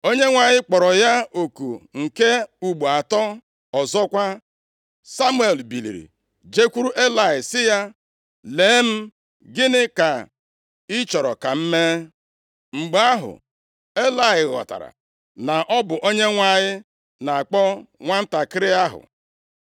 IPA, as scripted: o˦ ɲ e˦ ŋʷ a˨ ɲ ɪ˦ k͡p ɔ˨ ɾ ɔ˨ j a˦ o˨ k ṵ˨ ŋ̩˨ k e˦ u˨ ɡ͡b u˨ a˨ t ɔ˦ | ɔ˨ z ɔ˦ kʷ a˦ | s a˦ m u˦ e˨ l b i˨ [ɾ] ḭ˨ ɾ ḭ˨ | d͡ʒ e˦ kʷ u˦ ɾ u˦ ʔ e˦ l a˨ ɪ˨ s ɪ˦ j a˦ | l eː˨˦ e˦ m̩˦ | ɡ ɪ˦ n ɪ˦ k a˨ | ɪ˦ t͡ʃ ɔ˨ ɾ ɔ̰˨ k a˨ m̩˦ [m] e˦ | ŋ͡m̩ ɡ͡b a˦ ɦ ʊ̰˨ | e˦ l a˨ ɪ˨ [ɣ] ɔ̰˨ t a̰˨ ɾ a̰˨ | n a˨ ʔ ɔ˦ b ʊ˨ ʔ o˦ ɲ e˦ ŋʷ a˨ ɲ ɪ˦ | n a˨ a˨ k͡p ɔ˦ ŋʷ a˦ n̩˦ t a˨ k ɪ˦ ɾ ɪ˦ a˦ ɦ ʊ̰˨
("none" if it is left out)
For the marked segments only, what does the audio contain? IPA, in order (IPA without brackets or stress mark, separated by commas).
l, m, ɣ